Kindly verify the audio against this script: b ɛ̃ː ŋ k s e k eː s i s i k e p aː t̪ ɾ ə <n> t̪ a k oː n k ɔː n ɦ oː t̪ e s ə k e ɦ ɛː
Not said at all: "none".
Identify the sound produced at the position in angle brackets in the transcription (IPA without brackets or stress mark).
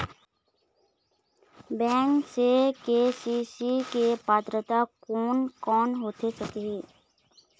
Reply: none